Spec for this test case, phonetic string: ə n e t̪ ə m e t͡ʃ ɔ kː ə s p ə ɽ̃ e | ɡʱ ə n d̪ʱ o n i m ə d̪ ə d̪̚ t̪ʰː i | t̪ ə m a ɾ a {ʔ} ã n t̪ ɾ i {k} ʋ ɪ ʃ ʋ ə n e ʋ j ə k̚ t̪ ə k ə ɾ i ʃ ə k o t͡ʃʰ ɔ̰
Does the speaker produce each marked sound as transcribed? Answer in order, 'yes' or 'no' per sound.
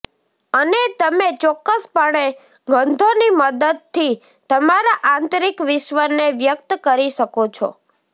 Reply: yes, yes

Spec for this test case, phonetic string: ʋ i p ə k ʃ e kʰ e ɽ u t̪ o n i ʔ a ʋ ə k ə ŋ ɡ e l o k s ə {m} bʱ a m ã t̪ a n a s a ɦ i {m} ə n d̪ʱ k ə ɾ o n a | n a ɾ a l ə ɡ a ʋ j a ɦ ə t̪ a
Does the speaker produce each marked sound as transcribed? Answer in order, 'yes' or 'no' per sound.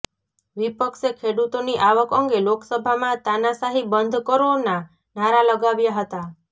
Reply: no, no

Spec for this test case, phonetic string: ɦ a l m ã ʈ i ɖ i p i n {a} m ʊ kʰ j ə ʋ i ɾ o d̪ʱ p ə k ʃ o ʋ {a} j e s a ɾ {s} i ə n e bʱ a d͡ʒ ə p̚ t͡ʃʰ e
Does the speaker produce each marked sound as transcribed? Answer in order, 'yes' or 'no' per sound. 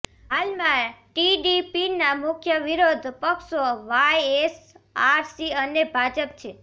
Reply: yes, yes, yes

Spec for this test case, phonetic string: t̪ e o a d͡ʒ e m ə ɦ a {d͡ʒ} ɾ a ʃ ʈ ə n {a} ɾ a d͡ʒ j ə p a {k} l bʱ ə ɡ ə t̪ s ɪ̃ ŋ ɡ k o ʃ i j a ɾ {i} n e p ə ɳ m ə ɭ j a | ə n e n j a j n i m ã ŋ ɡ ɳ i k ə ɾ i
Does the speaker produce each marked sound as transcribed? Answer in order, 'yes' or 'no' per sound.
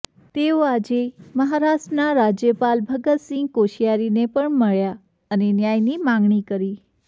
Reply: no, yes, no, yes

